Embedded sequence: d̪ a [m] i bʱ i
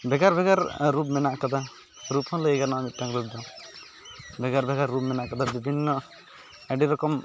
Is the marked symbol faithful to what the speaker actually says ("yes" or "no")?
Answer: no